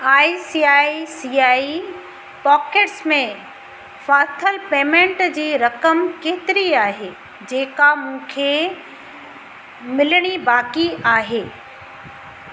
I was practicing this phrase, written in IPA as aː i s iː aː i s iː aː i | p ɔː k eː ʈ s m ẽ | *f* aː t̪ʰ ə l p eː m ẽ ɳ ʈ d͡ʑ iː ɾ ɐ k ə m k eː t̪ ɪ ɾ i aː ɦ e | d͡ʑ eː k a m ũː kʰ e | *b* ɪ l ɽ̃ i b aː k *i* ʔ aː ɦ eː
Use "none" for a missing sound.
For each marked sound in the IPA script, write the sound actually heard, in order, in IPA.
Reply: f, m, i

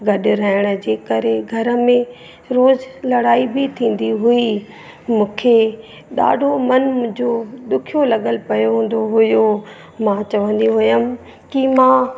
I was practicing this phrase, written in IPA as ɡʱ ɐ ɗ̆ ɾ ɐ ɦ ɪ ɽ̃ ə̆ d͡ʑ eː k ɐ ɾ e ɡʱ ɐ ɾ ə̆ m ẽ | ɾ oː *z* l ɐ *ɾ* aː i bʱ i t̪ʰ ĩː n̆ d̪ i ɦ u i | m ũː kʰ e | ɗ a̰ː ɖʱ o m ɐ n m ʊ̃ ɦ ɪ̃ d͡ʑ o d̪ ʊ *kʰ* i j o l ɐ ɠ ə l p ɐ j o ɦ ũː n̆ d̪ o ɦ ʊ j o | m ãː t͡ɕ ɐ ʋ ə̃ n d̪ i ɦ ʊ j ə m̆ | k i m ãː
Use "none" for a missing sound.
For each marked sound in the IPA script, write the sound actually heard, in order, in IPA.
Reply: z, ɽ, kʰ

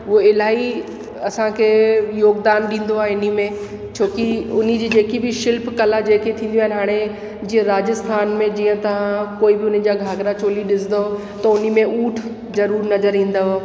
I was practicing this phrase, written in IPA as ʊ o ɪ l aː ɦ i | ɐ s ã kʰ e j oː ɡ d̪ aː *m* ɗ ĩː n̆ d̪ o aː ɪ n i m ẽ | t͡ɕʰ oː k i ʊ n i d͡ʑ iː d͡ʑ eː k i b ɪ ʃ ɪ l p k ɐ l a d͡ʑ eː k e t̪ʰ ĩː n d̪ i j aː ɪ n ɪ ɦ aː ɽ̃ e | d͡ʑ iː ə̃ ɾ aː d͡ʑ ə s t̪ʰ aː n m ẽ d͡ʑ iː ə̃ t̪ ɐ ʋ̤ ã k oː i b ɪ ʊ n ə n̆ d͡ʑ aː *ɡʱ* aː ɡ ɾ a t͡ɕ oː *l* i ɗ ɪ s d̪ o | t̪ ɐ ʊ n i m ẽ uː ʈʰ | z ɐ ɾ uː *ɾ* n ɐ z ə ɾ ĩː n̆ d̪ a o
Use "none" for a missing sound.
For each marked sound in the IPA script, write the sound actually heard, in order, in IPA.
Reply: n, ɡʱ, l, ɾ

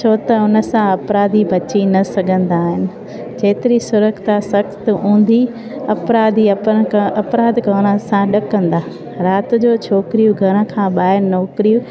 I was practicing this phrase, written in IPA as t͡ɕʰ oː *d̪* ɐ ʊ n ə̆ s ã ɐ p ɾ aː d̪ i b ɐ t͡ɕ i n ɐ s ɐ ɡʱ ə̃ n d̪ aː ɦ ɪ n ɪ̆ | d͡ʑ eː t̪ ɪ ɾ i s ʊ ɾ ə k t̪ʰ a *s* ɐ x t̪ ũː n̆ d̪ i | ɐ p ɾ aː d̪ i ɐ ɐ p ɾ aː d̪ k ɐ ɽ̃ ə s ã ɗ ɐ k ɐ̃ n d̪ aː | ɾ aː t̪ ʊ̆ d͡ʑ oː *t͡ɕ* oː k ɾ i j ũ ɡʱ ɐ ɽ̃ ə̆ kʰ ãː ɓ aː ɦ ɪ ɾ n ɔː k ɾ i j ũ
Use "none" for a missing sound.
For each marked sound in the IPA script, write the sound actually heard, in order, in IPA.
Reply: t̪, s, t͡ɕʰ

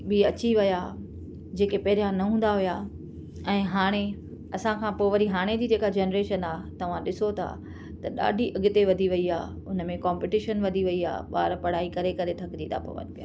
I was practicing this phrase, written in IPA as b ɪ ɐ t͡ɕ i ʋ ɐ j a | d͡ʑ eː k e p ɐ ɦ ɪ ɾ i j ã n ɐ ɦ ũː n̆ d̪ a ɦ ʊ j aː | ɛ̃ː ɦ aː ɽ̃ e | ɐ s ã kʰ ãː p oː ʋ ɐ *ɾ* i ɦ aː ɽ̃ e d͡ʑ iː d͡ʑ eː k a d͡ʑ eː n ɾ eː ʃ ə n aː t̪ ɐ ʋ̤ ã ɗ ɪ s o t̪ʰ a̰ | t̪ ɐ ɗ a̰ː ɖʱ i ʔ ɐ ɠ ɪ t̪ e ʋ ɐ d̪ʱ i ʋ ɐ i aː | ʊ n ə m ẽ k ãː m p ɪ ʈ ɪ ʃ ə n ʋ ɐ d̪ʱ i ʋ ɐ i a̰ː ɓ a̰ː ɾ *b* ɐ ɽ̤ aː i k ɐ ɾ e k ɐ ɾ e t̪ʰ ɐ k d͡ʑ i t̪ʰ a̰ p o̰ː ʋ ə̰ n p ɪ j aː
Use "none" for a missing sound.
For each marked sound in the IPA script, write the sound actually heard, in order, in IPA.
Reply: ɾ, p

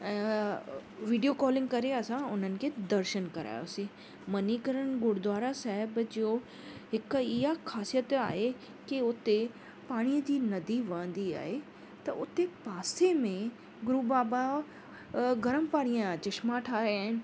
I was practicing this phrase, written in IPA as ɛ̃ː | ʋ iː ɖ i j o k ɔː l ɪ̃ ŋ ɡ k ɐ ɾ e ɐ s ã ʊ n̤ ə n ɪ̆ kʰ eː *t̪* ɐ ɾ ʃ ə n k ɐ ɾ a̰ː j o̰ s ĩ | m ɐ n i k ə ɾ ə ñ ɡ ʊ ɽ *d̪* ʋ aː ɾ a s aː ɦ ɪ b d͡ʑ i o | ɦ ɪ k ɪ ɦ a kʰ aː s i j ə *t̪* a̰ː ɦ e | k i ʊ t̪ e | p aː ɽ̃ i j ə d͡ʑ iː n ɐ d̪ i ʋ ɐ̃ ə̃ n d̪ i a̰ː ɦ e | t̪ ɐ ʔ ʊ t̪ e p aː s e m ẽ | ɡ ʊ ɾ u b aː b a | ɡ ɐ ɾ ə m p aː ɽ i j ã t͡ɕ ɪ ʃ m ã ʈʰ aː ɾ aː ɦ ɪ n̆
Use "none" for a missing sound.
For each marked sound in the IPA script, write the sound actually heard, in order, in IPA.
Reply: d̪, d̪, t̪

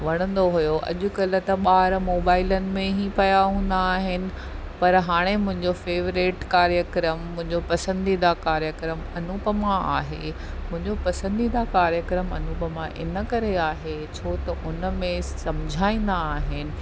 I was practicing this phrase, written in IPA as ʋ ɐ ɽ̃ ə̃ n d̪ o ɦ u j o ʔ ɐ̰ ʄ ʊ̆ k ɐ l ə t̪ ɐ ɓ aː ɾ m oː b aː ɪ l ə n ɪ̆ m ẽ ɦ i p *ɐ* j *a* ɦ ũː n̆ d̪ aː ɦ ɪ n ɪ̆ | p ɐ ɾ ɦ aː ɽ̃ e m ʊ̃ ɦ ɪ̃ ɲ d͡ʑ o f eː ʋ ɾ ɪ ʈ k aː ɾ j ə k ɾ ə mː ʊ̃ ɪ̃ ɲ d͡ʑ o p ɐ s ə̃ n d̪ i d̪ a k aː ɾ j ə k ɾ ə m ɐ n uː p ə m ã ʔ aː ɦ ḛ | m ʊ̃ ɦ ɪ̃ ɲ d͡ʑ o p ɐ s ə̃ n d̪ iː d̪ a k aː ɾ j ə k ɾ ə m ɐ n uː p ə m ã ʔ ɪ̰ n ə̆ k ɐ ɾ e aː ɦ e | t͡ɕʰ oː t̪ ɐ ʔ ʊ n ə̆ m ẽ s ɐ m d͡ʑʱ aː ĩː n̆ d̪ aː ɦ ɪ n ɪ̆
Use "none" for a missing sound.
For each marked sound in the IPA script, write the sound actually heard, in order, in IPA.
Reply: ɐ, a

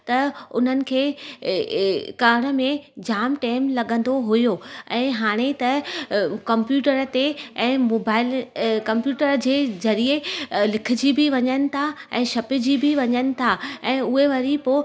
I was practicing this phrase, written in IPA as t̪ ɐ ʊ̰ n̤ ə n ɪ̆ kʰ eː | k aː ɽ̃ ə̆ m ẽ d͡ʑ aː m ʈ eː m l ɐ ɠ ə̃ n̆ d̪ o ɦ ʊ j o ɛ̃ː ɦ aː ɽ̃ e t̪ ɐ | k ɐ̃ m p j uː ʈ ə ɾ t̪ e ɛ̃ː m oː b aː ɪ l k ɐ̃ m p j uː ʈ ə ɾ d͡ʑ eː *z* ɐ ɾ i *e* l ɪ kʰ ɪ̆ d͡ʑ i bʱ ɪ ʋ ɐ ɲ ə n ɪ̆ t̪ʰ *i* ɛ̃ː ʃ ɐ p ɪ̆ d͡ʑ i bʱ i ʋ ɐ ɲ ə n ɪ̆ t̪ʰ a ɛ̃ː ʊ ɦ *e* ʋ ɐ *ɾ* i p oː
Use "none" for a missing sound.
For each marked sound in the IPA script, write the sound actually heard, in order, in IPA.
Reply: z, e, a, e, ɾ

